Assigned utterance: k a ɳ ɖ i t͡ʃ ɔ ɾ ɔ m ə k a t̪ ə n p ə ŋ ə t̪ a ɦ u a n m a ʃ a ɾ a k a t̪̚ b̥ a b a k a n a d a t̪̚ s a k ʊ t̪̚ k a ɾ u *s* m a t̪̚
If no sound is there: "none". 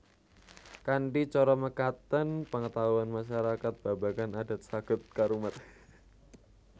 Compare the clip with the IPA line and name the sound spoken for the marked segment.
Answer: none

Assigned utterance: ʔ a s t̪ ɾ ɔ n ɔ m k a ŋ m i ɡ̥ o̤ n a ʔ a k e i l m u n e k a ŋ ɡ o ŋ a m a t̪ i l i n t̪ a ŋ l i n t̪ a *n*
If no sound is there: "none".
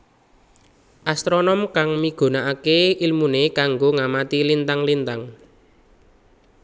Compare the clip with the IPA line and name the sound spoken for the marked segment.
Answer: ŋ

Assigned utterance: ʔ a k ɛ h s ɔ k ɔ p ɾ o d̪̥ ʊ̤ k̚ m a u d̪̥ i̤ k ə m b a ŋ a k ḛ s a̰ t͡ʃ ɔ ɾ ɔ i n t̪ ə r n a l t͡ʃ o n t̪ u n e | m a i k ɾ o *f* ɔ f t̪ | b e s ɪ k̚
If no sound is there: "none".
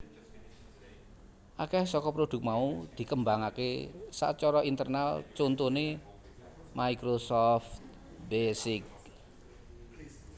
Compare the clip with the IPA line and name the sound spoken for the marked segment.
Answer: s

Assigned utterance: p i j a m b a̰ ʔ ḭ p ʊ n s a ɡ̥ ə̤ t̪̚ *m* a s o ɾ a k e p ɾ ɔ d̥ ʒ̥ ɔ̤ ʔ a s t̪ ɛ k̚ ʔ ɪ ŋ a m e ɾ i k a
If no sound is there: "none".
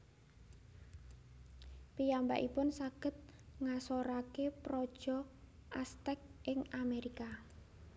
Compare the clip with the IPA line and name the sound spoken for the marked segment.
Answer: ŋ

